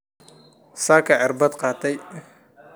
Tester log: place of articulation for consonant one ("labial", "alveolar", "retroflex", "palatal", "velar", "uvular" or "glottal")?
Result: alveolar